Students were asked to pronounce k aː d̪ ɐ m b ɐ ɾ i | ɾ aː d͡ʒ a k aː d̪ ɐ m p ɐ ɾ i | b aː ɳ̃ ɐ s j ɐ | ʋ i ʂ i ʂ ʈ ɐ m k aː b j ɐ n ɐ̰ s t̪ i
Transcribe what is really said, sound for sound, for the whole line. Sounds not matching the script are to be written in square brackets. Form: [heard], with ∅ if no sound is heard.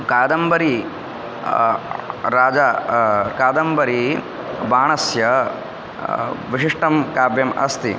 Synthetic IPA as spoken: k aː d̪ ɐ m b ɐ ɾ i | ɾ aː d͡ʒ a k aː d̪ ɐ m [b] ɐ ɾ i | b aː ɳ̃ ɐ s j ɐ | ʋ i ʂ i ʂ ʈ ɐ m k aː b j ɐ [m] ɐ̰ s t̪ i